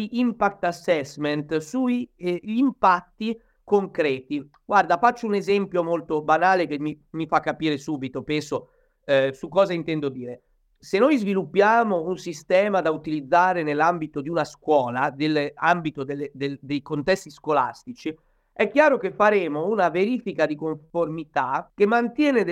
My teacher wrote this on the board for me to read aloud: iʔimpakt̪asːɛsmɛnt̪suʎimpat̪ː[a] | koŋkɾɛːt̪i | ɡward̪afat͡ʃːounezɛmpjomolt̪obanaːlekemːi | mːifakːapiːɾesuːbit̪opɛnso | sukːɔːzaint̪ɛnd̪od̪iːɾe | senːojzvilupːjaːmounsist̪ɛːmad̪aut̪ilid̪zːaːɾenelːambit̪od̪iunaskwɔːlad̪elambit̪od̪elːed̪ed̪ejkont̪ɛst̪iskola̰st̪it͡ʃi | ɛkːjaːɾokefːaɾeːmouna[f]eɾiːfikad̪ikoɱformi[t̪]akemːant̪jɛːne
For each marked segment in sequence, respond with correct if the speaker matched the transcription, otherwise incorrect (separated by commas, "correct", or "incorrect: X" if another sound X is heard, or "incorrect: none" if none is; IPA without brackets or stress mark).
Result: incorrect: i, incorrect: v, correct